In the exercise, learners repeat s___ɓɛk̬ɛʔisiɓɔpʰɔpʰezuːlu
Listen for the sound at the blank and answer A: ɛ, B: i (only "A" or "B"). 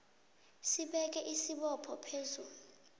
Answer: B